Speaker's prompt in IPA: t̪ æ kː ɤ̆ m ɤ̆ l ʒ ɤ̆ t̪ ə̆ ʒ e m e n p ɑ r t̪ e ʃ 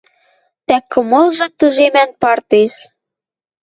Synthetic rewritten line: t̪ æ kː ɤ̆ m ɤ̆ l ʒ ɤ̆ t̪ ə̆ ʒ e m æ n p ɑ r t̪ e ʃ